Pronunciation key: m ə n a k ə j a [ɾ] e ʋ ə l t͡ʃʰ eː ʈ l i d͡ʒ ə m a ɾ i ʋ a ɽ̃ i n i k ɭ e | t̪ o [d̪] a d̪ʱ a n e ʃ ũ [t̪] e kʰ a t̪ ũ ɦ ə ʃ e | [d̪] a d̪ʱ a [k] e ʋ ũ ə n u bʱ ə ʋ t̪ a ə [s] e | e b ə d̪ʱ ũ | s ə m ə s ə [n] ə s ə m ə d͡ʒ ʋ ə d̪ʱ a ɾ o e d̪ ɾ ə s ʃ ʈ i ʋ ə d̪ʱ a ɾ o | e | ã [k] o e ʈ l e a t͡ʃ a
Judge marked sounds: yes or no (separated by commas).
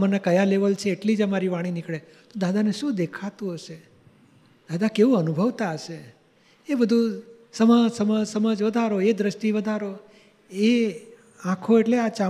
no, yes, no, yes, yes, no, no, no